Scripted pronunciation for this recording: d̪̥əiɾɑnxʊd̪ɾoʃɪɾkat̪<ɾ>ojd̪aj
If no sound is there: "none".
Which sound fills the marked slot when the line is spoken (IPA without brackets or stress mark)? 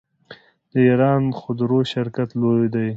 l